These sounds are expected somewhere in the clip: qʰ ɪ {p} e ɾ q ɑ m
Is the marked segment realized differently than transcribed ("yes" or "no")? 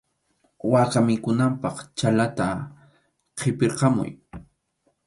no